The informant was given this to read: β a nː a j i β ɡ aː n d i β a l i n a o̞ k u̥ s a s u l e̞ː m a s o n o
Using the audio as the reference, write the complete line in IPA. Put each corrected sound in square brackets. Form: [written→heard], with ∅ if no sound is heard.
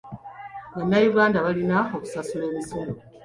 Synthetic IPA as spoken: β a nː a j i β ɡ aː n d [i→a] β a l i n a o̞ k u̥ s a s u l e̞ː m [a→i] s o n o